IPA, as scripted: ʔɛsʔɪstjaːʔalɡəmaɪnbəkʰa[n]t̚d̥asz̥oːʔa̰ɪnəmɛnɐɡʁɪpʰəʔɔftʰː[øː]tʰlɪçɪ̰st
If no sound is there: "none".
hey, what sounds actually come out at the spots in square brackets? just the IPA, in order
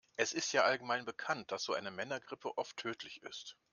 n, øː

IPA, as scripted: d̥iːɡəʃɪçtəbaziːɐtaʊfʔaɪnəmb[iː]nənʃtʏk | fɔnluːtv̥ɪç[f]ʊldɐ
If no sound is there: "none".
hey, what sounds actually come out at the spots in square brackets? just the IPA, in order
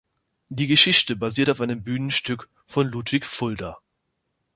yː, f

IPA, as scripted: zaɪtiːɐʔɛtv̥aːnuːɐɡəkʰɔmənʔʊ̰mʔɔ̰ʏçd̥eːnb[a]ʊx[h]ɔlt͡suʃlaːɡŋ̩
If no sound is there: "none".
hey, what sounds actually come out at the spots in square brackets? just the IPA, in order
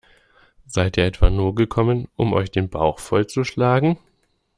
a, f

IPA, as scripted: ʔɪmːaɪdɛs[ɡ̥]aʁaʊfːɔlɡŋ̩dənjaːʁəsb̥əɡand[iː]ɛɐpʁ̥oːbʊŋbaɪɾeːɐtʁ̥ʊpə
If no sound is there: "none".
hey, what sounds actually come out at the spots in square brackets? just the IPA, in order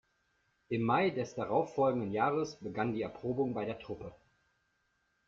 d̥, iː

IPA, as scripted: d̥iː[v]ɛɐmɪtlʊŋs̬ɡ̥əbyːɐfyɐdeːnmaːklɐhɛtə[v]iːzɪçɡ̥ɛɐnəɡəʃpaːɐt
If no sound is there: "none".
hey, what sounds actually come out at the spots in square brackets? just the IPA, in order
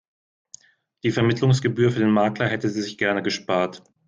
f, z

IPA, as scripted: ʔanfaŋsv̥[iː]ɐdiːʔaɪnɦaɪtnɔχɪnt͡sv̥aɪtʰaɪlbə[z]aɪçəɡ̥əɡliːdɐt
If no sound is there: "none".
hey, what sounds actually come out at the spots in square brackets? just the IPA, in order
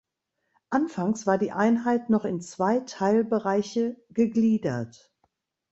aː, ʁ

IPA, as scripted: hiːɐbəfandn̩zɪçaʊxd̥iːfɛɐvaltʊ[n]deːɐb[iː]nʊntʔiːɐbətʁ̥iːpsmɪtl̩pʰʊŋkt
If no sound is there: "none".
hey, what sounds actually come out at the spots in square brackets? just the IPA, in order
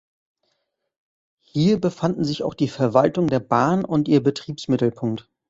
ŋ, aː

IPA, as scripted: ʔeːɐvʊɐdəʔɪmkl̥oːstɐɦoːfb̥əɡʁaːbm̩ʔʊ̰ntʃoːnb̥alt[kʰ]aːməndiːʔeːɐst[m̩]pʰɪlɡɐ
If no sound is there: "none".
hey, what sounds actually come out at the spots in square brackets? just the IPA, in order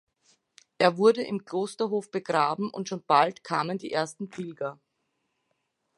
kʰ, n̩

